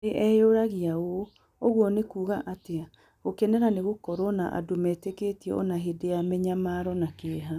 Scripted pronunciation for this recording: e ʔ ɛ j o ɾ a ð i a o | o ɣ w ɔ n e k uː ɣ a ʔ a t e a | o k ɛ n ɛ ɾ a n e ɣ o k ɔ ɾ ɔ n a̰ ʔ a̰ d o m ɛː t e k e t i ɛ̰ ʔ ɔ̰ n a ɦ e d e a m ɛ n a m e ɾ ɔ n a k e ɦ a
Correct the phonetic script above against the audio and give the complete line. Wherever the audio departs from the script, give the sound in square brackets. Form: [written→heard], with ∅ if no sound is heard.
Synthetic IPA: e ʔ ɛ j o ɾ a [ð→ɣ] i a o | o ɣ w ɔ n e k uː ɣ a ʔ a t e a | o k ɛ n ɛ ɾ a n e ɣ o k ɔ ɾ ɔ n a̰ ʔ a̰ d o m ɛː t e k e t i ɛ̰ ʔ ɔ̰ n a ɦ e d e a m ɛ [n→ɲ] a m [e→a] ɾ ɔ n a k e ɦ a